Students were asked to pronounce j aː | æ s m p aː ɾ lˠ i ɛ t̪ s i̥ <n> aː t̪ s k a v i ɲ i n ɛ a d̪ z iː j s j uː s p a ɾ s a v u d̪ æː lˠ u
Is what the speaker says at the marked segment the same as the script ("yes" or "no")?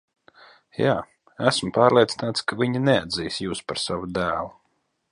yes